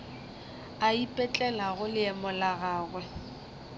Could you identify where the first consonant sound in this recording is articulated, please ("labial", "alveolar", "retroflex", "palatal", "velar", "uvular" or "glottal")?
labial